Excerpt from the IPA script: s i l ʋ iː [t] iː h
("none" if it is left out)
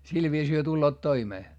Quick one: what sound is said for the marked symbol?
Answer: s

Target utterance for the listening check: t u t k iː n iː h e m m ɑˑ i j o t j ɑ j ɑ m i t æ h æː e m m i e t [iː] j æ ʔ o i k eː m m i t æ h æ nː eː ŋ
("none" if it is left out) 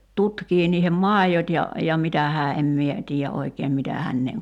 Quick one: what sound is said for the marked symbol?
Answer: iː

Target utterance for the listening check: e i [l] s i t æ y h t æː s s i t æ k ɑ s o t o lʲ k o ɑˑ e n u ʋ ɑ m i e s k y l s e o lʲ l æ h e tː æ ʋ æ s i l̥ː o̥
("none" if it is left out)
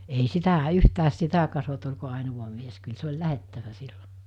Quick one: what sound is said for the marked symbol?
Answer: none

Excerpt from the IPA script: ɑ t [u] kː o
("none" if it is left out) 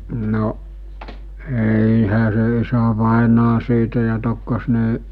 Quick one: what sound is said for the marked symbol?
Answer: o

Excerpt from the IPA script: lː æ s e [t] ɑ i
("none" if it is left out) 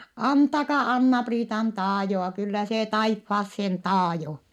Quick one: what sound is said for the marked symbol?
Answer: t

